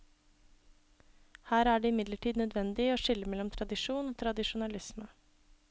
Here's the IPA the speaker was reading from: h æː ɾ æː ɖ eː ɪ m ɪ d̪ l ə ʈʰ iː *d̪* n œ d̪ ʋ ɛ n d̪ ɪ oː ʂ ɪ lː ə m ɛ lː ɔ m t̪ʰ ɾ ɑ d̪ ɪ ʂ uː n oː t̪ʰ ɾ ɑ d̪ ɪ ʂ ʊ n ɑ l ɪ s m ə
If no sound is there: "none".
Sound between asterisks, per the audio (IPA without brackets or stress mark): d̪